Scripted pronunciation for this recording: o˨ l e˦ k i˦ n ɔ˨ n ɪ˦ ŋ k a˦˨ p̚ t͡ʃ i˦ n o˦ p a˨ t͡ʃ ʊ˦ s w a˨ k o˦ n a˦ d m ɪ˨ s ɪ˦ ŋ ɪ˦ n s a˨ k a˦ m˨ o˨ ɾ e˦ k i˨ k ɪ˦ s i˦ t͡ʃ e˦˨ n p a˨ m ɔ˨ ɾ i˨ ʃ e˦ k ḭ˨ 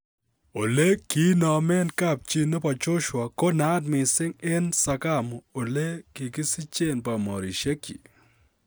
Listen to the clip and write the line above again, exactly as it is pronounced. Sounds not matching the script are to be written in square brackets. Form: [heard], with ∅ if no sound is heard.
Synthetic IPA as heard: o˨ l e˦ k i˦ n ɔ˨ [m] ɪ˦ [n] k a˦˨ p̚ t͡ʃ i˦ n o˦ p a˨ t͡ʃ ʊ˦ [ʃ] w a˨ k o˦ n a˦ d m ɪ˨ s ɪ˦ ŋ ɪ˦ n s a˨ k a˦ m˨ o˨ [l] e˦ k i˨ k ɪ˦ s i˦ t͡ʃ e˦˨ n p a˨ m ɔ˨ ɾ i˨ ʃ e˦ k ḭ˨